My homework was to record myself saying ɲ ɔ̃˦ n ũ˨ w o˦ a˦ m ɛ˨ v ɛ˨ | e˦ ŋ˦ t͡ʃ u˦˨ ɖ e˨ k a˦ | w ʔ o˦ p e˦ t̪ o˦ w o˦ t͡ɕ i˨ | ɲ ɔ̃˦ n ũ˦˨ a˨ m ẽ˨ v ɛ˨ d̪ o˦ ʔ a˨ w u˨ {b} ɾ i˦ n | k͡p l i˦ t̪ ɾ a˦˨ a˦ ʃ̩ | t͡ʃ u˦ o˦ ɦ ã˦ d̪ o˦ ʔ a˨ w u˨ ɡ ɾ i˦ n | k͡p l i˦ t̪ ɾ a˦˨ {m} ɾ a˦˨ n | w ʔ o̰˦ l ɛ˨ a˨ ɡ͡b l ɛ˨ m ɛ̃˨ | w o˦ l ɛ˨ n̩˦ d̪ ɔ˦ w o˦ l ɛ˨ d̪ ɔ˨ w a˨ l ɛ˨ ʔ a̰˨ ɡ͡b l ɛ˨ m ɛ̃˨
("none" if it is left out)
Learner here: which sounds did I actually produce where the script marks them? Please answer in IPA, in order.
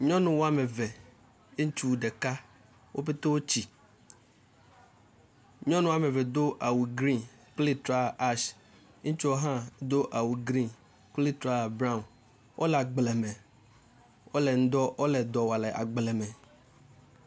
ɡ, b

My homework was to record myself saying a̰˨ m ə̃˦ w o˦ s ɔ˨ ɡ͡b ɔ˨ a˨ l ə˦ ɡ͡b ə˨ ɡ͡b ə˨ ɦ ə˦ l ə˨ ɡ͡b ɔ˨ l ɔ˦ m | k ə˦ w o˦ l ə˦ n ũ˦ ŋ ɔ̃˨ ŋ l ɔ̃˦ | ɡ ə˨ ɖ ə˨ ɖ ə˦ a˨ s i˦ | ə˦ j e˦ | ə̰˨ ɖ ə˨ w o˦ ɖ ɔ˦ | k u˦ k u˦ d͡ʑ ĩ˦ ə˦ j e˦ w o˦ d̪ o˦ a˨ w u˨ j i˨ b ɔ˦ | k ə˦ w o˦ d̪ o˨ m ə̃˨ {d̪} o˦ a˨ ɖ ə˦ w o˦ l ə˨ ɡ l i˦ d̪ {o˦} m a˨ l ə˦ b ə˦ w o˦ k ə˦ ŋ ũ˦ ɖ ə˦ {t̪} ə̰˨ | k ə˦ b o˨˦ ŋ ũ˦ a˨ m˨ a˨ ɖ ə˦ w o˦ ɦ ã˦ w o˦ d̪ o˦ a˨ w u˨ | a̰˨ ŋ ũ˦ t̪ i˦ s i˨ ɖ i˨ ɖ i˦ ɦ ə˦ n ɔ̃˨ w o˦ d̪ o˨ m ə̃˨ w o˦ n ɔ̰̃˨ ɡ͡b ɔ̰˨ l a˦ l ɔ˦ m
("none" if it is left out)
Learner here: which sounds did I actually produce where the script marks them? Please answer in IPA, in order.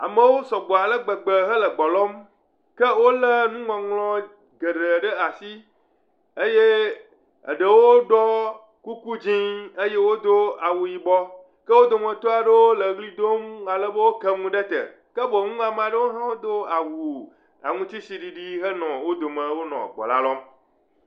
t̪, o˦, t̪

